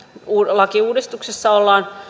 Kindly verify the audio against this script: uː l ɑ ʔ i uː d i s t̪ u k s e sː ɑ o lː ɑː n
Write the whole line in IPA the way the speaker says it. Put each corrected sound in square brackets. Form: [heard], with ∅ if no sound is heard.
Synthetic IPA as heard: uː l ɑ [k] i uː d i s t̪ u k s e sː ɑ o lː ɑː n